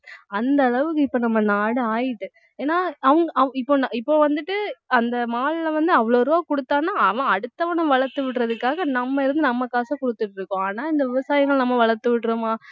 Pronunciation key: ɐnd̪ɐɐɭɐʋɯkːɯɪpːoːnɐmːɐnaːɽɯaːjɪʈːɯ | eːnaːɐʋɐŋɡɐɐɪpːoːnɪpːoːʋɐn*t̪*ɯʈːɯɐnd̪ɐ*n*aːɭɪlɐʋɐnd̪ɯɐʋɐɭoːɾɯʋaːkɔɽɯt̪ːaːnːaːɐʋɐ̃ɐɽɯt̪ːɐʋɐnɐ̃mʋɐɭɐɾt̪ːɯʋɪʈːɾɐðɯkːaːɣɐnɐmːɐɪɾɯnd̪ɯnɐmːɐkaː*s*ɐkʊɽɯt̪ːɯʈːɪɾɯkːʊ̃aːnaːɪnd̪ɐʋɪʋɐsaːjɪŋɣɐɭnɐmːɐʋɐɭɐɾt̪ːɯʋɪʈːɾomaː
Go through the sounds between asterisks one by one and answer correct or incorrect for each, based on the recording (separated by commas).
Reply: incorrect, incorrect, correct